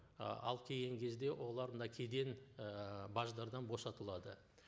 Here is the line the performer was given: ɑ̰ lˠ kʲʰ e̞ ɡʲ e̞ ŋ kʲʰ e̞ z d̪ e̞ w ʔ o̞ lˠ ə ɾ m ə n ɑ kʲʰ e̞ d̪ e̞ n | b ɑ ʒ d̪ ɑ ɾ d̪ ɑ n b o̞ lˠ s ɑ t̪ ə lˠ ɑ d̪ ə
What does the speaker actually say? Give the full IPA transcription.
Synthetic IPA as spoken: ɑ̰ lˠ kʲʰ e̞ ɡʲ e̞ ŋ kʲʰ e̞ z d̪ e̞ w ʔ o̞ lˠ ɑ ɾ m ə n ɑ kʲʰ e̞ d̪ e̞ n | b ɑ ʒ d̪ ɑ ɾ d̪ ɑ n b o̞ s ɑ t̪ ə lˠ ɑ d̪ ə

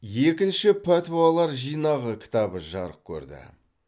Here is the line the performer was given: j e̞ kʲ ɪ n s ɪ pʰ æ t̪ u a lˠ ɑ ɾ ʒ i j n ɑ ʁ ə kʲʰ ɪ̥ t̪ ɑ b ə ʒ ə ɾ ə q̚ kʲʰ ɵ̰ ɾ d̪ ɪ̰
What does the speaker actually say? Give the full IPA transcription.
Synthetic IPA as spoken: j e̞ kʲ ɪ n ʃ ɪ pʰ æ t̪ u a lˠ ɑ ɾ ʒ i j n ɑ ʁ ə kʲʰ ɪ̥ t̪ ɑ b ə ʒ ɑ ɾ ə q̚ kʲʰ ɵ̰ ɾ d̪ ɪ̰

